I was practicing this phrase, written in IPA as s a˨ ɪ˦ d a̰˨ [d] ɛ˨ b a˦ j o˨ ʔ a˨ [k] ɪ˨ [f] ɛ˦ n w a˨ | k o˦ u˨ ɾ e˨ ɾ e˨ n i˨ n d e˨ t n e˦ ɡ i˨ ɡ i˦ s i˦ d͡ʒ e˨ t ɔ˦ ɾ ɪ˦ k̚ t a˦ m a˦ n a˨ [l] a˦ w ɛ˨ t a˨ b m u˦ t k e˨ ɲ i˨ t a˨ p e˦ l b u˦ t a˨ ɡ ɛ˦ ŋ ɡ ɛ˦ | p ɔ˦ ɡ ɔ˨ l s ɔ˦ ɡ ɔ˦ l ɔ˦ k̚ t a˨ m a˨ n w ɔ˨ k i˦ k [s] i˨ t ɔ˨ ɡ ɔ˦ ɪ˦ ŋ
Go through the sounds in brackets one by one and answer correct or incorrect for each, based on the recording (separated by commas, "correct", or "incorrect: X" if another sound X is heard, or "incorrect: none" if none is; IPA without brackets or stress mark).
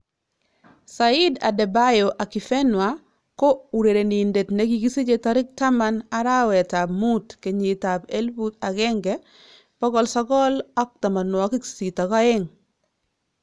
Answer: correct, correct, correct, incorrect: ɾ, correct